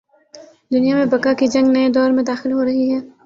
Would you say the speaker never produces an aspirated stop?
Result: yes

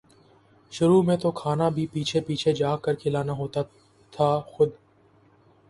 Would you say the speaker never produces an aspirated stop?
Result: no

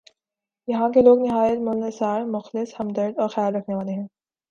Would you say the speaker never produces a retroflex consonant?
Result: yes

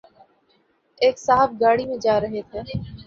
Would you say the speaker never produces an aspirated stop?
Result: no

